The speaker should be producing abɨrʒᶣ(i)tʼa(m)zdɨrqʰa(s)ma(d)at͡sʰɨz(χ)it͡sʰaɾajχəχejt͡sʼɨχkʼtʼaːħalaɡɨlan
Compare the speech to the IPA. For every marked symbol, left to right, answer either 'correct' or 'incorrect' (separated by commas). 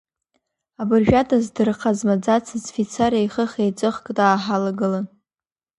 incorrect, incorrect, incorrect, incorrect, incorrect